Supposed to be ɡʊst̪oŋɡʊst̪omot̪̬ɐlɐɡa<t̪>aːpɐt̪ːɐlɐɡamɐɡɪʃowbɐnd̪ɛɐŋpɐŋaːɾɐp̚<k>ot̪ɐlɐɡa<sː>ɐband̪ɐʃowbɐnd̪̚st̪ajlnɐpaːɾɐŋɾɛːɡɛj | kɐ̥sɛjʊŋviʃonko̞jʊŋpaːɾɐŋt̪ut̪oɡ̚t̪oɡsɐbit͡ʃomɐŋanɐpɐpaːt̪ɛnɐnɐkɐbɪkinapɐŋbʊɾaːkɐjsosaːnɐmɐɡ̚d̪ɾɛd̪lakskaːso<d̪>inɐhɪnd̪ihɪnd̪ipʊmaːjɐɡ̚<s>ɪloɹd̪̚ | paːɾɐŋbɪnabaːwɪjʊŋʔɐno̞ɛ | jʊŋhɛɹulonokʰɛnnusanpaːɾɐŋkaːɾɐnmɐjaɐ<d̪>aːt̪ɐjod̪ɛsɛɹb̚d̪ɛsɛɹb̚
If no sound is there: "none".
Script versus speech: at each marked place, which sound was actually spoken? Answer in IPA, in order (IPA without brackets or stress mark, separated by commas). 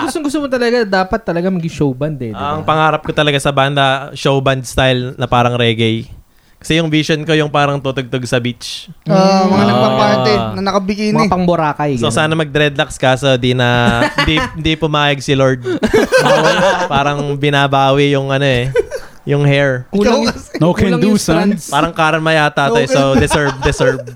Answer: d̪, k, s, d̪, s, t̪